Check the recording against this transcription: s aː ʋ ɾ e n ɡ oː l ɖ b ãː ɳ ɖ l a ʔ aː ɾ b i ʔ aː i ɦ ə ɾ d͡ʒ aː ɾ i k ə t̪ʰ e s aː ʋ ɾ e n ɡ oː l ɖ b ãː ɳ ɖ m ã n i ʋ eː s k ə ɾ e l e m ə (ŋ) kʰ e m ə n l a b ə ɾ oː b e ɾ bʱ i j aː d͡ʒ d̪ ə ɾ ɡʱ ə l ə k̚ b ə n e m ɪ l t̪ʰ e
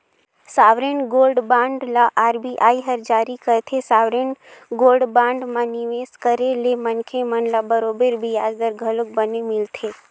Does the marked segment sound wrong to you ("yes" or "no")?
yes